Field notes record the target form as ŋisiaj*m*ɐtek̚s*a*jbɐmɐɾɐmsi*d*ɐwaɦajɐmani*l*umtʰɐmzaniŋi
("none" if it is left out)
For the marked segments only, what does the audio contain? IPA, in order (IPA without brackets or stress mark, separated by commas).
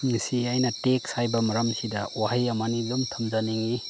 n, a, d, l